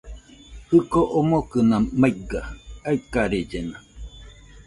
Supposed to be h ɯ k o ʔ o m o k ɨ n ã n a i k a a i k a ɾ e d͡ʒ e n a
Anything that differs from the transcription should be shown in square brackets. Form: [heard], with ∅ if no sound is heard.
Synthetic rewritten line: h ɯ k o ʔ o m o k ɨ n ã [m] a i [ɡ] a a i k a ɾ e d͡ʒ e n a